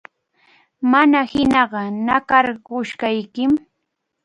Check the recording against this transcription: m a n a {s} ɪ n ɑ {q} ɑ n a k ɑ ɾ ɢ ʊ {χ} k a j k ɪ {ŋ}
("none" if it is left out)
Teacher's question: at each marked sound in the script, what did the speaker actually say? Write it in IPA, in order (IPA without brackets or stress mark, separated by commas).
h, ɢ, ʃ, m